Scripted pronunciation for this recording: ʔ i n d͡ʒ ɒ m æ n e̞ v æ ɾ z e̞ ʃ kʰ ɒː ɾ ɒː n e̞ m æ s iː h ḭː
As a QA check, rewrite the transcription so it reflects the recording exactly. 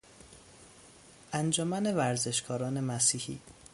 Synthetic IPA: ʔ æ n d͡ʒ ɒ m æ n e̞ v æ ɾ z e̞ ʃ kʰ ɒː ɾ ɒː n e̞ m æ s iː h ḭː